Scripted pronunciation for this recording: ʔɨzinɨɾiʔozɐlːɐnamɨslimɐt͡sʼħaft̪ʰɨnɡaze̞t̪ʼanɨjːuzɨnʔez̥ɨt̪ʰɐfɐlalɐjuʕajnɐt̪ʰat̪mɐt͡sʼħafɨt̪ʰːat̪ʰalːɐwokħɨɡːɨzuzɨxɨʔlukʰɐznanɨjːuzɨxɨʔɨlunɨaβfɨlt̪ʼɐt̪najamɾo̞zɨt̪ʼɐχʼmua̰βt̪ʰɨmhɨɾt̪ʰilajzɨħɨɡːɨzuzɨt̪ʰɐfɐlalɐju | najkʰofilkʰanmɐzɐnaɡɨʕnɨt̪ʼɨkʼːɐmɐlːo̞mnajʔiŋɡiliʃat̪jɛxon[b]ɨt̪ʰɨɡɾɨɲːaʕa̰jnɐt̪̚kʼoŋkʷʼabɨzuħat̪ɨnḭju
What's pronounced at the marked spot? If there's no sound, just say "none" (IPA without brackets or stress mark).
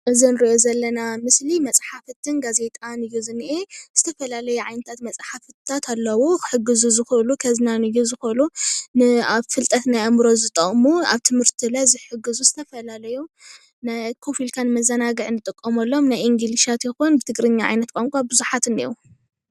b